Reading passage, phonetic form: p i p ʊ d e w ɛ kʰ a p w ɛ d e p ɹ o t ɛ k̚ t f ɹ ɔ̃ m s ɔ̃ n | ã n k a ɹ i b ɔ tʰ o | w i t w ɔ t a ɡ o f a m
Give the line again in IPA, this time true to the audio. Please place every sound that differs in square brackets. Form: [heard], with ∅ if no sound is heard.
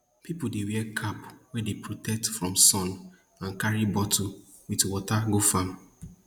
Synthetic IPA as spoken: p i p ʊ d e w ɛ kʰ a p w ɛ d e p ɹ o t ɛ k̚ t f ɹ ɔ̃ m s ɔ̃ n | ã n k a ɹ i b ɔ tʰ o | w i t w ɔ t a ɡ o f a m

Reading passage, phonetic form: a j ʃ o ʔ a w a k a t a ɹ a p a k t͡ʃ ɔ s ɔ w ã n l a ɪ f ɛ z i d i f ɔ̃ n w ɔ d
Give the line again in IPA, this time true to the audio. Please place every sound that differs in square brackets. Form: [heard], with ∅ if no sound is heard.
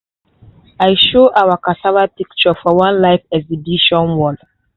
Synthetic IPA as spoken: a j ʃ o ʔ a w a k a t a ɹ a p [i] k t͡ʃ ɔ [f] ɔ w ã n l a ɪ f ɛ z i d i [ʃ] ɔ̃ n w ɔ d

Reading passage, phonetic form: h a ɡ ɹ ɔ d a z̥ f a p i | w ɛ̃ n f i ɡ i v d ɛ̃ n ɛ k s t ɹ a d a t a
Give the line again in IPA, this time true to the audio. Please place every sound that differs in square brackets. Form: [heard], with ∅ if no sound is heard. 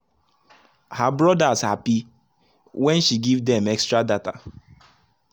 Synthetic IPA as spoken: h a [b] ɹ ɔ d a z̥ [h] a p i | w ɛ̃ n [ʃ] i ɡ i v d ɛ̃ [m] ɛ k s t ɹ a d a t a

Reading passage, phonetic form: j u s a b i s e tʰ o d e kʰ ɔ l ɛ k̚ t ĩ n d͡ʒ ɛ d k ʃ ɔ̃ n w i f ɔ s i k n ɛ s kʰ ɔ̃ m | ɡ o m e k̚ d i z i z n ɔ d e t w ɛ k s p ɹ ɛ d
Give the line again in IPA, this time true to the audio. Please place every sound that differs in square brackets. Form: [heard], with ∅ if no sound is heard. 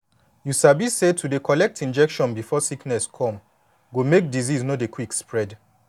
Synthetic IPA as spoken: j u s a b i s e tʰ [u] d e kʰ ɔ l ɛ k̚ t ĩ n d͡ʒ ɛ [∅] k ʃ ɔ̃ n [b] i f ɔ s i k n ɛ s kʰ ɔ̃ m | ɡ o m e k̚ d i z i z n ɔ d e [k] w [i] k s p ɹ ɛ d

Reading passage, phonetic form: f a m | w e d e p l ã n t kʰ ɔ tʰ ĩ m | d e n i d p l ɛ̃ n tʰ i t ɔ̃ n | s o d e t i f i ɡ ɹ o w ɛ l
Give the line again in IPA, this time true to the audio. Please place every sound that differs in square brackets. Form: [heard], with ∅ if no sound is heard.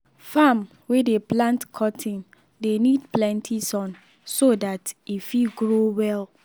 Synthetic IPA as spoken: f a m | w e d e p l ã n t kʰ ɔ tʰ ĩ [n] | d e n i d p l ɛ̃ n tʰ i [s] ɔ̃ n | s o d [a] t i f i ɡ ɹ o w ɛ l

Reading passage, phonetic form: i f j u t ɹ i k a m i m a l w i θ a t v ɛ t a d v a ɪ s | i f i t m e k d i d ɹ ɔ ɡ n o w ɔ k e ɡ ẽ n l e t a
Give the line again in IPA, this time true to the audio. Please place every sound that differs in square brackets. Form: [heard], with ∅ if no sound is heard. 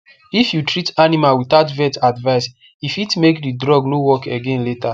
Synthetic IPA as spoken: i f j u t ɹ i [t] a [n] i m a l w i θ a t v ɛ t a d v a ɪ s | i f i t m e k d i d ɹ ɔ ɡ n o w ɔ k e ɡ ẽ n l e t a

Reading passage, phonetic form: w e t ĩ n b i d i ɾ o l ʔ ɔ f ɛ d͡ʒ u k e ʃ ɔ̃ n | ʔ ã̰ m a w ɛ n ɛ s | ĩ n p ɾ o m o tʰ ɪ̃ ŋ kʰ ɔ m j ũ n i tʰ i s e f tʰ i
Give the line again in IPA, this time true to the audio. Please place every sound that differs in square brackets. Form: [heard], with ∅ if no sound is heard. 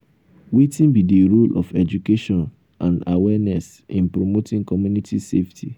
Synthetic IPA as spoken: w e t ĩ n b i d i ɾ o l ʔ ɔ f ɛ d͡ʒ u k e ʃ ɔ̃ n | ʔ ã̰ [n] a w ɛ n ɛ s | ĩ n p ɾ o m o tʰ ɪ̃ ŋ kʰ ɔ m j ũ n i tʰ i s e f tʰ i

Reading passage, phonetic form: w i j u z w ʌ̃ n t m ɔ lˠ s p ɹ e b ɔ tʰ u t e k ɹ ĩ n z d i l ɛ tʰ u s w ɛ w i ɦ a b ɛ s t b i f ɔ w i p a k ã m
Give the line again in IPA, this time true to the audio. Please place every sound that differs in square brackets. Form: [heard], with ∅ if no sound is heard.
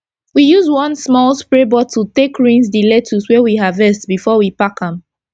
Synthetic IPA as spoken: w i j u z w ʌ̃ n [s] m ɔ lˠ s p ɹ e b ɔ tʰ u t e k ɹ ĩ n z d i l ɛ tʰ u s w ɛ w i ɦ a [v] ɛ s t b i f ɔ w i p a k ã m

